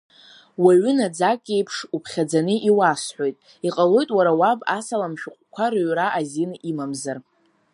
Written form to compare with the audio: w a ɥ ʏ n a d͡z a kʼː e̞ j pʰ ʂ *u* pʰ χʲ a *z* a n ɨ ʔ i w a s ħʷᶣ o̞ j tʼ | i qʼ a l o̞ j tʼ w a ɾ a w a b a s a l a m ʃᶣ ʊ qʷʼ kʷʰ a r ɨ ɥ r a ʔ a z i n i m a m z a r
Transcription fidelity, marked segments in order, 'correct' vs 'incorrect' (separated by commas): correct, incorrect